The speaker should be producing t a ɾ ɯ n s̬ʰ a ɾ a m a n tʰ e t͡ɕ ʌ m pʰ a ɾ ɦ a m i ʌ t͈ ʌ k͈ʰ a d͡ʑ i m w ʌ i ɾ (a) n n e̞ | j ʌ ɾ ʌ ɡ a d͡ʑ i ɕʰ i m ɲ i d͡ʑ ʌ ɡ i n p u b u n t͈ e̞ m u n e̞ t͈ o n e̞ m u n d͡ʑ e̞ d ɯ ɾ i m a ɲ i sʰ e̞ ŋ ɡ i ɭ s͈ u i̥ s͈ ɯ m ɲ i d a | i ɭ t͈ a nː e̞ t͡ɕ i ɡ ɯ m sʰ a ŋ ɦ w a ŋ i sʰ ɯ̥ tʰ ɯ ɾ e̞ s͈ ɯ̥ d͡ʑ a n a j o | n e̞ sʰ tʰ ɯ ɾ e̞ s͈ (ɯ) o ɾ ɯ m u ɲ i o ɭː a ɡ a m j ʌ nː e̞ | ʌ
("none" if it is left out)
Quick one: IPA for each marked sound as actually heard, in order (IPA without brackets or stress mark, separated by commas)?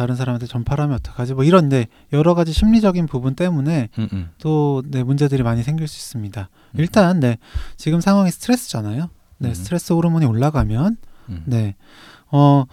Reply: ʌ, ɯ